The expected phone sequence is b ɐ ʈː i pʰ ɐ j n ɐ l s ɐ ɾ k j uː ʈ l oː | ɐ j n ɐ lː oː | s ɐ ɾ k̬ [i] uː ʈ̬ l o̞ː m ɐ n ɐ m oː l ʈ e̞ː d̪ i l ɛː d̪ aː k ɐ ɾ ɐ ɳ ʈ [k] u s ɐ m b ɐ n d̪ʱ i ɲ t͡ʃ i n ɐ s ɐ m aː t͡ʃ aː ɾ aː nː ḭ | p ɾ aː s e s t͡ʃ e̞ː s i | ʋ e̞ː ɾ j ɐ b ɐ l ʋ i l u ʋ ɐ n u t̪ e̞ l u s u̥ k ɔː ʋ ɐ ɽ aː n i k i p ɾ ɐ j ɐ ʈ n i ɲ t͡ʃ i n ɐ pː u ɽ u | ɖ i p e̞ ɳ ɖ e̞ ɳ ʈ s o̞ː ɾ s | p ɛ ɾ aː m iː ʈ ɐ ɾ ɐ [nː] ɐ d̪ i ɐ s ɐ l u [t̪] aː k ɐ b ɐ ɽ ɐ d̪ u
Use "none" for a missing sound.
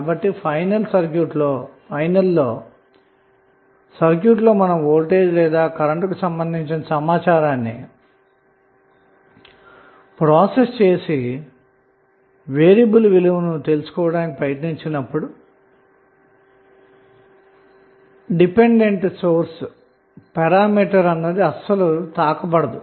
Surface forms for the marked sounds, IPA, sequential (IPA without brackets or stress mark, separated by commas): j, k, nː, t̪